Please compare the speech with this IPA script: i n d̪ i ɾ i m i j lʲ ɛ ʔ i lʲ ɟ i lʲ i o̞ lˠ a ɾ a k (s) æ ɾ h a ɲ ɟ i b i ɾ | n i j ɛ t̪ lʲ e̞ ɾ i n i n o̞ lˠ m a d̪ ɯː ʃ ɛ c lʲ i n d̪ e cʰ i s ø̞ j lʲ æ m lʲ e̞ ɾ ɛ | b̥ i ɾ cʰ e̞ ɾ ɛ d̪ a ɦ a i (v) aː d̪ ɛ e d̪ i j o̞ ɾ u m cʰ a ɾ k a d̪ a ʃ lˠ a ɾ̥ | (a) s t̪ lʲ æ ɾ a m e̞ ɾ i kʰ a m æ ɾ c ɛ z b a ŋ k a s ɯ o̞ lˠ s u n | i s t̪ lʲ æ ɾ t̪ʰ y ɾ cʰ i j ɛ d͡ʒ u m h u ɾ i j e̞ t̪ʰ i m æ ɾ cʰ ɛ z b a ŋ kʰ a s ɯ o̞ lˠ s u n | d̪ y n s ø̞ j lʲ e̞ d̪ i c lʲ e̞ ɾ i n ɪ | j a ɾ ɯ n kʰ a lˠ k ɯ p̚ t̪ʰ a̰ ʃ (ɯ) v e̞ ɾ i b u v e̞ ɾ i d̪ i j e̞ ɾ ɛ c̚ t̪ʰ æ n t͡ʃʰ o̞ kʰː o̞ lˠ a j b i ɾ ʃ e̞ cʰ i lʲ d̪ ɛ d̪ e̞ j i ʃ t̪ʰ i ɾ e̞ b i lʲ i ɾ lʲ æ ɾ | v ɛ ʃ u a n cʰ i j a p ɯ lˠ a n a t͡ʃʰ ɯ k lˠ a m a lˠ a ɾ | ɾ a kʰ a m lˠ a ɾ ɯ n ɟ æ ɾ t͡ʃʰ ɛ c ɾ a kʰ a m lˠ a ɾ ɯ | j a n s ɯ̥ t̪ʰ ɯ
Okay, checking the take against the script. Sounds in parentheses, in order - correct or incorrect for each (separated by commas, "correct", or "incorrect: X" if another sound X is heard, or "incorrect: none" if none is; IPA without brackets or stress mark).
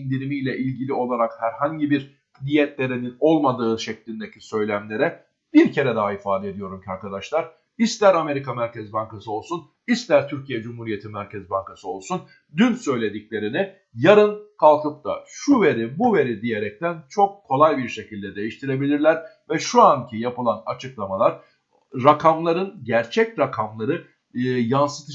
incorrect: h, incorrect: f, incorrect: i, incorrect: u